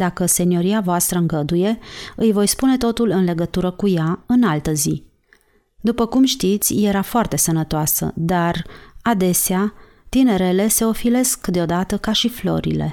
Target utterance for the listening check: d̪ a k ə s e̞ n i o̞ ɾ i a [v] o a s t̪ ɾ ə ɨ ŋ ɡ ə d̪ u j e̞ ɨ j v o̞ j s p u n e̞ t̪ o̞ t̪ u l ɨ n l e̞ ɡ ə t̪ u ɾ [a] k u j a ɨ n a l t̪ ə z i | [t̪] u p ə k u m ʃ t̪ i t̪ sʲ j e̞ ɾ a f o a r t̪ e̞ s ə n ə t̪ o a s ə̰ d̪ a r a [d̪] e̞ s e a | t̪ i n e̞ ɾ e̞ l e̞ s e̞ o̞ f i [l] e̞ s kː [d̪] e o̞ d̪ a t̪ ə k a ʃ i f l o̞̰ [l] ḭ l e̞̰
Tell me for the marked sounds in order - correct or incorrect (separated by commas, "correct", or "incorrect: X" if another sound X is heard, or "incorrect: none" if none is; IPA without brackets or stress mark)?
correct, incorrect: ə, incorrect: d̪, correct, correct, correct, incorrect: ɾ